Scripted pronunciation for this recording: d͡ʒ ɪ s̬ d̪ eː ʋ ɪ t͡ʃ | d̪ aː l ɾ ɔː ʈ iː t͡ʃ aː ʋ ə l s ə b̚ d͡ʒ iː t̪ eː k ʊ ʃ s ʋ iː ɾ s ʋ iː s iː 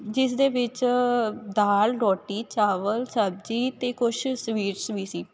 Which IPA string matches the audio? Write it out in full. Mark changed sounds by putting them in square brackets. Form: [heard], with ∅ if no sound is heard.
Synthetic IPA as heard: d͡ʒ ɪ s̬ d̪ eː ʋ ɪ t͡ʃ | d̪ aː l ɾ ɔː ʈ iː t͡ʃ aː ʋ ə l s ə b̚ d͡ʒ iː t̪ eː k ʊ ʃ s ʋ iː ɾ s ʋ iː s iː